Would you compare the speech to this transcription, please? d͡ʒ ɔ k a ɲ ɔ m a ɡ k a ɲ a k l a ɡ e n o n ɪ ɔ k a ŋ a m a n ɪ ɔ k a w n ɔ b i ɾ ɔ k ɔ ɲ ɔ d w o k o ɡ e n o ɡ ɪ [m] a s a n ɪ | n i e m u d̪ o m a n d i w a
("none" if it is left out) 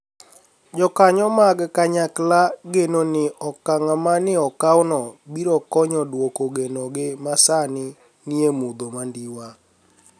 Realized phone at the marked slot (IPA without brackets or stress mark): m